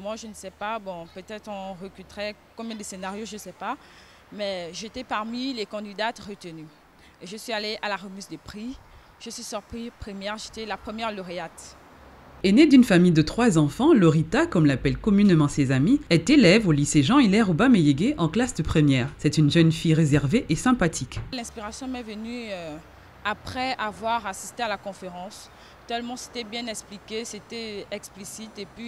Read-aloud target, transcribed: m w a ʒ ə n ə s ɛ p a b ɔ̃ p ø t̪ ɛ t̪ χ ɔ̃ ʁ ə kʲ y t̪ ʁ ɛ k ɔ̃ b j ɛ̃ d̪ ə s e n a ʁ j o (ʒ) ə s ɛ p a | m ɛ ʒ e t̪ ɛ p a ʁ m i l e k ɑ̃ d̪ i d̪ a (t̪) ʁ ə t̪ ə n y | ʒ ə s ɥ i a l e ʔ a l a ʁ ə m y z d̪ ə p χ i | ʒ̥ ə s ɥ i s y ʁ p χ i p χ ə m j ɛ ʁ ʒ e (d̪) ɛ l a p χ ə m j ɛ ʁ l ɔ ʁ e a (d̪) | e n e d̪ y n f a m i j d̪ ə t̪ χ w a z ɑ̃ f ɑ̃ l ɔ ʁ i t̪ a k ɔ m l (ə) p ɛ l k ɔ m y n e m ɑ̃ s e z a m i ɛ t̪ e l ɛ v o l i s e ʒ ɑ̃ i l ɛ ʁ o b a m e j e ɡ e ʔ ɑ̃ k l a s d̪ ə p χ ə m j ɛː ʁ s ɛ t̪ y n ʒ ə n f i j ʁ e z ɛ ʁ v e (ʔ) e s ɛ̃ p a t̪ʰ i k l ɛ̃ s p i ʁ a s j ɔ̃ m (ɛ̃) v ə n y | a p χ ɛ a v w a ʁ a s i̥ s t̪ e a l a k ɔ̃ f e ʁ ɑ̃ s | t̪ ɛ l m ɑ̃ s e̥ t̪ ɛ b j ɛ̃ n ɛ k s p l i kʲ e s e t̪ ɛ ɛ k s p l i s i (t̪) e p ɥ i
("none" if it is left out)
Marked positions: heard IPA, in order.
ʒ, t̪, t̪, t̪, a, ʔ, ɛ, t̪

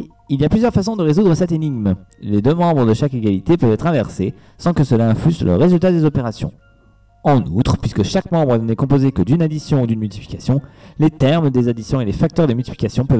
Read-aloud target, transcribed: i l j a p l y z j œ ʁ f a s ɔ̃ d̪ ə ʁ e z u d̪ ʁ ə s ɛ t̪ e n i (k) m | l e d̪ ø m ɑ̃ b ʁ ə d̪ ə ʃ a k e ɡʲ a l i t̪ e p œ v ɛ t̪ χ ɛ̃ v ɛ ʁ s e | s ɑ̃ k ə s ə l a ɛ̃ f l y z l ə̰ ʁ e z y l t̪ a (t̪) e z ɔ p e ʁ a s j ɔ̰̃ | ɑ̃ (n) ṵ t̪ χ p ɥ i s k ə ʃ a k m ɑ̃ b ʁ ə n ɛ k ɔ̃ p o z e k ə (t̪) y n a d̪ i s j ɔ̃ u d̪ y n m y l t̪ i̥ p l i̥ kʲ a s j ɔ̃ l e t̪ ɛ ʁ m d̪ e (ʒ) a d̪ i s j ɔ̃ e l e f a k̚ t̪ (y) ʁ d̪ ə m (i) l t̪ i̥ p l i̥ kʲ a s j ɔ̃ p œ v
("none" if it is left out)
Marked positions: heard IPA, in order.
ɡ, d̪, n, d̪, z, œ, y

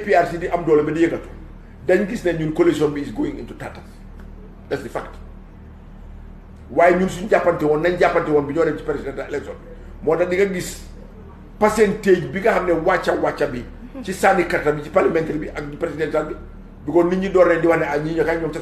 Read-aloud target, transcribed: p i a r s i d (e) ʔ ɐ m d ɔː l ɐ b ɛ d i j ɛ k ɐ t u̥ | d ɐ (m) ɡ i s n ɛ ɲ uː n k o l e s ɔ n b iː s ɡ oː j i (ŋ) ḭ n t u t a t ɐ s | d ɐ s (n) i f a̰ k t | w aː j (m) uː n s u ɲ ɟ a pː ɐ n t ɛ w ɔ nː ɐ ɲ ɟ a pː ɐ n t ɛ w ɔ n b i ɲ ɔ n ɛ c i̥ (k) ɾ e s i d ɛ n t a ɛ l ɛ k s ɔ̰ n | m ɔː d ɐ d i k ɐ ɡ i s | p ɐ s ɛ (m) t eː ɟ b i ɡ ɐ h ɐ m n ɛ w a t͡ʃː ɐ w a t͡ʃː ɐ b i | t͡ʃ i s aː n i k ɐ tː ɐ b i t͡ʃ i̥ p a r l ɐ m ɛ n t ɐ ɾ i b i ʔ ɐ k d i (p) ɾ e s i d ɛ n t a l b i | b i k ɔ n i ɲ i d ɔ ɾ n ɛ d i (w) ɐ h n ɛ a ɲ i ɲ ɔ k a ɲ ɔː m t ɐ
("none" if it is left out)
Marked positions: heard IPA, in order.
i, ɲ, ŋ, d, ɲ, p, n, p, w

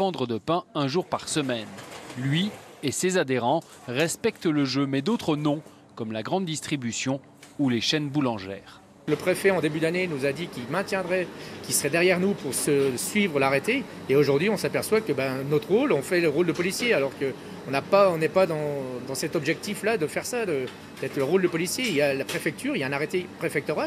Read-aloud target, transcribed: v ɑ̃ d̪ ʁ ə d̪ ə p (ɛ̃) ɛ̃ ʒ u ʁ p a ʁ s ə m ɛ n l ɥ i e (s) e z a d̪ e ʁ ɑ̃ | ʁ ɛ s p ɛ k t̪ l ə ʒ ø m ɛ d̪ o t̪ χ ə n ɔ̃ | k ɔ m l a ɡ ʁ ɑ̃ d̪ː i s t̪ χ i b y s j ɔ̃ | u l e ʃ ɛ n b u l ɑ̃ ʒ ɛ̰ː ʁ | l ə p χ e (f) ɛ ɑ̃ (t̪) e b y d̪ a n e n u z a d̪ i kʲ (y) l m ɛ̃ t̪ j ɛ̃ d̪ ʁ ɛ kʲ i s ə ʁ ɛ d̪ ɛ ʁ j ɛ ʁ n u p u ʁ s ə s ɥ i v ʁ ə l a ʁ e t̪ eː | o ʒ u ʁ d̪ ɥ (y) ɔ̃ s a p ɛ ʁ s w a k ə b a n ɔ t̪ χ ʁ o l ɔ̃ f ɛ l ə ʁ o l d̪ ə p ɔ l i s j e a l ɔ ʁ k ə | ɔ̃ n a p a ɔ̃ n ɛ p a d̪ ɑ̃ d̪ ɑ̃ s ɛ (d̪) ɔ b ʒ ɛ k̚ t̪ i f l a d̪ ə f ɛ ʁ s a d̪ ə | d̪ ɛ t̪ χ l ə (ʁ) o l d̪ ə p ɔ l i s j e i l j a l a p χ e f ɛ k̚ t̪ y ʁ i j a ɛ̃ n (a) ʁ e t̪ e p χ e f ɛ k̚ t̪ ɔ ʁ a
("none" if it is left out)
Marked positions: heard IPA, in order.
ɛ̃, s, f, d̪, i, i, t̪, ʁ, a

